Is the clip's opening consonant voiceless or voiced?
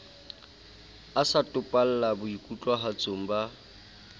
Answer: voiceless